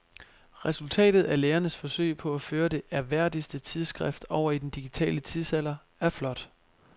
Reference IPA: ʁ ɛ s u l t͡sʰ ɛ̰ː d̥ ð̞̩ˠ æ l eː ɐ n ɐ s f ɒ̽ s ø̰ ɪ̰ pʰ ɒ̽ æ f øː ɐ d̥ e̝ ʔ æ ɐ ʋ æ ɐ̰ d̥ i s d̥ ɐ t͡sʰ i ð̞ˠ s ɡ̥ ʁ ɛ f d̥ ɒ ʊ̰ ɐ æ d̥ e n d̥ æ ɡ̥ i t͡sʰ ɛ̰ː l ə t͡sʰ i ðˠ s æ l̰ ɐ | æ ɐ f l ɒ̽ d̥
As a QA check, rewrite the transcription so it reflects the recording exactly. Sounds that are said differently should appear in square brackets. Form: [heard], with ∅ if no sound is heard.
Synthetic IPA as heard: ʁ ɛ s u l t͡sʰ ɛ̰ː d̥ ð̞̩ˠ æ l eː ɐ n [ə] s f ɒ̽ s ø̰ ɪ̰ pʰ ɒ̽ æ f øː ɐ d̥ e̝ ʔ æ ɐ ʋ æ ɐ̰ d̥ i s d̥ [ə] t͡sʰ i ð̞ˠ s ɡ̥ ʁ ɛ f d̥ ɒ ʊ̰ ɐ [i] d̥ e n d̥ [i] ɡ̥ i t͡sʰ ɛ̰ː l ə t͡sʰ i ðˠ s æ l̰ ɐ | æ ɐ f l ɒ̽ d̥